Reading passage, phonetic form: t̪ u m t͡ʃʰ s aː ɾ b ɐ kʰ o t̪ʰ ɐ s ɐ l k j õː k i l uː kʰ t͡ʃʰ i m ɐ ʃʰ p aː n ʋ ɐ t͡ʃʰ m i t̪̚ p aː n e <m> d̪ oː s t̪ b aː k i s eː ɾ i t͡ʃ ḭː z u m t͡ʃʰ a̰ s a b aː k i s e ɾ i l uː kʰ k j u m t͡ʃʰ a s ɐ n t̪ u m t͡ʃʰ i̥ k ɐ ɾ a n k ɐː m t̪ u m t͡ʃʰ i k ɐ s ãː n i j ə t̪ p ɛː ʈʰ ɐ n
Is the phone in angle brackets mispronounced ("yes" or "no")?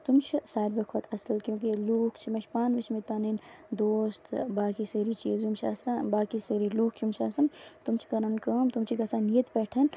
yes